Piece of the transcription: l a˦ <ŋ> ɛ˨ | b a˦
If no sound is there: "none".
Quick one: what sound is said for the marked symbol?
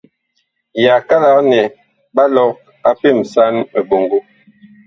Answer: n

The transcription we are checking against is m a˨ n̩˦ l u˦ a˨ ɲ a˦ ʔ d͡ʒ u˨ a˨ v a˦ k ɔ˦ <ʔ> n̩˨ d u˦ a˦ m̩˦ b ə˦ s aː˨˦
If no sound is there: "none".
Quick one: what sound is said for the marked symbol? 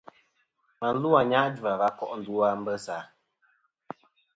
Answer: ʔ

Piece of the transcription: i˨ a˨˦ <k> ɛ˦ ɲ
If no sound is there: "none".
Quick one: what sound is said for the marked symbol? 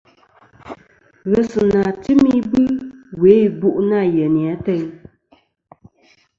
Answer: t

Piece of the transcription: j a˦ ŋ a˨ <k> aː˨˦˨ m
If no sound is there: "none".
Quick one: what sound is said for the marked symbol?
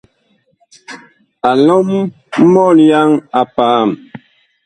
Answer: p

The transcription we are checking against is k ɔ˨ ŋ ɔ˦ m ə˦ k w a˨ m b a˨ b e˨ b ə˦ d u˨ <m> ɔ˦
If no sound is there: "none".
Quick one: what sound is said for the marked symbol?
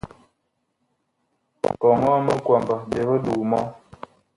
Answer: m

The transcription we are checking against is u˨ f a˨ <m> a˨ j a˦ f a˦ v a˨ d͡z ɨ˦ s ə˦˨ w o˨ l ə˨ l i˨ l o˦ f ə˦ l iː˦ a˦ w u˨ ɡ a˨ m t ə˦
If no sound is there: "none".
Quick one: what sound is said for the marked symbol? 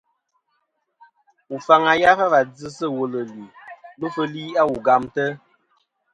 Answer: ŋ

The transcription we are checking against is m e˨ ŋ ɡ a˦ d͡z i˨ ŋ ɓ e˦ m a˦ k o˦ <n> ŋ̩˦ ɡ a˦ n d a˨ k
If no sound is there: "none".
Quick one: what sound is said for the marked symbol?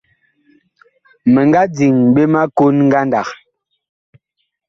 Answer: n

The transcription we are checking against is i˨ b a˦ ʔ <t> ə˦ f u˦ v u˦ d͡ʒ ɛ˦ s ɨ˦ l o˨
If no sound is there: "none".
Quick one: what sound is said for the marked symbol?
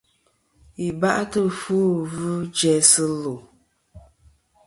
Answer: t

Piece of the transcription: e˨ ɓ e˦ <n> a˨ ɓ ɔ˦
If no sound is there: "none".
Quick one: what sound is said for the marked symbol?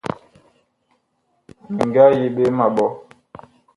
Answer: m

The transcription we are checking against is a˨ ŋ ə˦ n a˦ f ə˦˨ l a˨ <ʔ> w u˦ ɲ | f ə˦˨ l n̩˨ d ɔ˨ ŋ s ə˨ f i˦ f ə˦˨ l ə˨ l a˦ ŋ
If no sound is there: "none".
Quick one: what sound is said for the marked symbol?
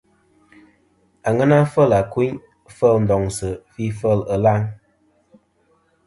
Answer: k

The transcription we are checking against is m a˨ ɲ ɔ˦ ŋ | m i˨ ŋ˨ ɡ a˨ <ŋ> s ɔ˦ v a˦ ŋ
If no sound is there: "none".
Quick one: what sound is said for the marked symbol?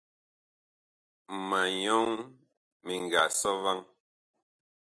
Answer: none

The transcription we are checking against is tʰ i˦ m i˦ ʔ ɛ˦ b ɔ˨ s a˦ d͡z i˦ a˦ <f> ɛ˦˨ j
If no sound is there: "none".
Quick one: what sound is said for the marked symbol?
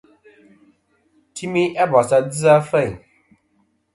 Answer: f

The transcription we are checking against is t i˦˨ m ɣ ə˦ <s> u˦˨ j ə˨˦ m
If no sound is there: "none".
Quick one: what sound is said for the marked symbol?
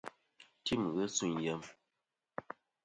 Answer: s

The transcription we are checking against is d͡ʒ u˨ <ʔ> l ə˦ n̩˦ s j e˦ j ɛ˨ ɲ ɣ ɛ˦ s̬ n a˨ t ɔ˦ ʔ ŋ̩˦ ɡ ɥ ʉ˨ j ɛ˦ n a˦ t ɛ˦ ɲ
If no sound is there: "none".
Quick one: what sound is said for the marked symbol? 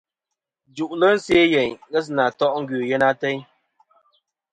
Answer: ʔ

